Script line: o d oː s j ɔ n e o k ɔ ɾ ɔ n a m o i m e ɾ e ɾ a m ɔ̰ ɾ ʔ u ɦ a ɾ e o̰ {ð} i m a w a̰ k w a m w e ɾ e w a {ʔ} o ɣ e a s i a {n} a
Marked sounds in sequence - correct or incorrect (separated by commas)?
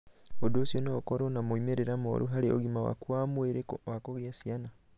incorrect, incorrect, correct